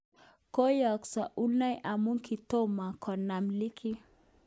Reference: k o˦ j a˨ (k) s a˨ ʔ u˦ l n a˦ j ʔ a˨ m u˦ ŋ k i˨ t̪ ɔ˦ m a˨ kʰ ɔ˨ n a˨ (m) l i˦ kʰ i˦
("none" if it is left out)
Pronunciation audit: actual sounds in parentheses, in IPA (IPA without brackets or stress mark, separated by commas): k, m